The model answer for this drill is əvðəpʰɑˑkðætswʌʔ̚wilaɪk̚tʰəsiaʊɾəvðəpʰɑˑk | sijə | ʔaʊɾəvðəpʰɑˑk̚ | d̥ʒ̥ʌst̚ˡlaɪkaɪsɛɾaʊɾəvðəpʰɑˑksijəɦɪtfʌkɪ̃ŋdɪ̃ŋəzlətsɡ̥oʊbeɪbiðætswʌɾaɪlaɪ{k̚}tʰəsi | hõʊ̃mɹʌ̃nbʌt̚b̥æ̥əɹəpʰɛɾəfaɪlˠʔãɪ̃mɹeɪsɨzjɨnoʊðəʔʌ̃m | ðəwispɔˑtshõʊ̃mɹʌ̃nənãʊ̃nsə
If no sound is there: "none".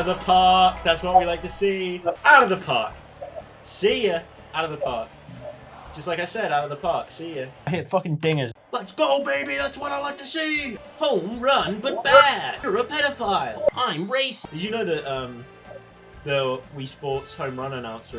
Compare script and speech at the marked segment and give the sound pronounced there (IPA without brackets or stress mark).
k̚